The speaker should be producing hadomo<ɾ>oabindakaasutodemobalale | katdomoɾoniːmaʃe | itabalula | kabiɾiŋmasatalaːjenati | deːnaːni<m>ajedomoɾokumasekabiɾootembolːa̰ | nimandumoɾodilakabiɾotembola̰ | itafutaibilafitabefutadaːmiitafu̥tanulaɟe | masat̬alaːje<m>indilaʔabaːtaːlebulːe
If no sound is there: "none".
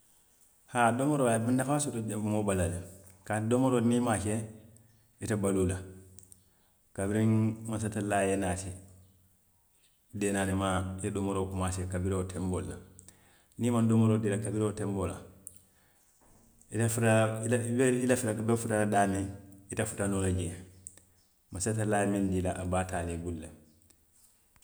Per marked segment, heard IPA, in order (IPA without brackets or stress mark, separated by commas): ɾ, m, m